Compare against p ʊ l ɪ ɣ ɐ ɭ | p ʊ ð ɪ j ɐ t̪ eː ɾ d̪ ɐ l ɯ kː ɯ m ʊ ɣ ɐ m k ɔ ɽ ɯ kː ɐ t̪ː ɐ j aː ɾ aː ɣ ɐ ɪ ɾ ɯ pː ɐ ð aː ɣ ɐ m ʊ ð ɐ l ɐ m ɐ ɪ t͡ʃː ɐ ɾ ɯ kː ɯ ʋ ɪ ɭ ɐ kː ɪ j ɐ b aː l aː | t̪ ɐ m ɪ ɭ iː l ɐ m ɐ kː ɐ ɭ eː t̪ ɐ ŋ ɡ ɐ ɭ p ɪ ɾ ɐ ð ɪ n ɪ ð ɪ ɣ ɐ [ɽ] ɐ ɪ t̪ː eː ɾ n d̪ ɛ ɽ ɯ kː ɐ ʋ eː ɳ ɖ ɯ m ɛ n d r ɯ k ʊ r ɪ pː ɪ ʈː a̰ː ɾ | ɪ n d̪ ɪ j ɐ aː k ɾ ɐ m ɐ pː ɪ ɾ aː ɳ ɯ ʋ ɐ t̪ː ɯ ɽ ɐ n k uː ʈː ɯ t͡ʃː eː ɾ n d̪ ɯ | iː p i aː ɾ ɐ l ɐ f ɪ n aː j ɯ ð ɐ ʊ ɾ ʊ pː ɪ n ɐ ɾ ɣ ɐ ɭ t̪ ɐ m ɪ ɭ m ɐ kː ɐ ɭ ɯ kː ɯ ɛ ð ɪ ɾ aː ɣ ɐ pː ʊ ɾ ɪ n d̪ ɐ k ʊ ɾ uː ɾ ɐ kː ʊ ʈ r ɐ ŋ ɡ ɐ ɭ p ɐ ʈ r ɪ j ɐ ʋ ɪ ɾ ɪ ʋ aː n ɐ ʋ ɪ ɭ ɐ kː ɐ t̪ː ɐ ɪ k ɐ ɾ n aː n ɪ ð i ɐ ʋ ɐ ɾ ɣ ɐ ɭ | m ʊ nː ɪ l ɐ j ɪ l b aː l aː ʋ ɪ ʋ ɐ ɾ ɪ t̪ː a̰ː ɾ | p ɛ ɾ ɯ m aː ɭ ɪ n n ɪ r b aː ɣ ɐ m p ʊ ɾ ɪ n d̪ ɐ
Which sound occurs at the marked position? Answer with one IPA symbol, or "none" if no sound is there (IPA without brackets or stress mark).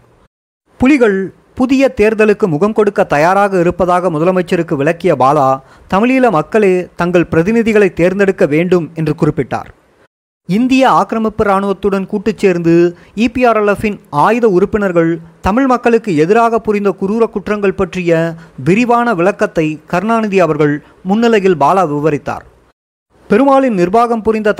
ɭ